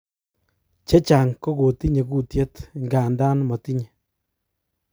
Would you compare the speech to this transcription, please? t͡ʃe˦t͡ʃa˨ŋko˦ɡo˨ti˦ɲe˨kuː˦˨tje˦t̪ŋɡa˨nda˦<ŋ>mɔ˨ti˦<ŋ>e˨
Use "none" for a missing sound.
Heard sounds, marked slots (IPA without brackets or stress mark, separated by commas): n, ɲ